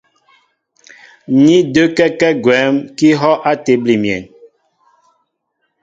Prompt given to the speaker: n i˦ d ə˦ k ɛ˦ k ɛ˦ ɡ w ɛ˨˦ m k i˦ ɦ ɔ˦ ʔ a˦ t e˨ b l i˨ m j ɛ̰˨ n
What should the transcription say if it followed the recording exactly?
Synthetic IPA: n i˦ d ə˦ k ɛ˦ k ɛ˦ ɡ w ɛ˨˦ m k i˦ ɦ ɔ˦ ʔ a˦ t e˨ b l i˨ m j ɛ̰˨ n